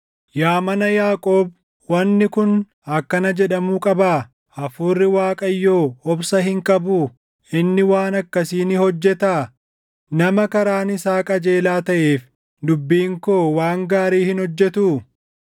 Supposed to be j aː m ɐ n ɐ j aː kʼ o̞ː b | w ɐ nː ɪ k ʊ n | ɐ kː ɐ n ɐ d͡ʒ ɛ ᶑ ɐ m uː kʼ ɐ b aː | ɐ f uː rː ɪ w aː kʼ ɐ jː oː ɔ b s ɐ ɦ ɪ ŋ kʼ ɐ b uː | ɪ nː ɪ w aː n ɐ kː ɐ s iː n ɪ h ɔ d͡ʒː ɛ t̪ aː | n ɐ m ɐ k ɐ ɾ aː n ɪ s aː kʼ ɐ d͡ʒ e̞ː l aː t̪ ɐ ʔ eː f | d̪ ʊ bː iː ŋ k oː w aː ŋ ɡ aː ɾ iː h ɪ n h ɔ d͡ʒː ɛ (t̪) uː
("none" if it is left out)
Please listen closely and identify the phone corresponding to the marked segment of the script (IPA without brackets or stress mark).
t̪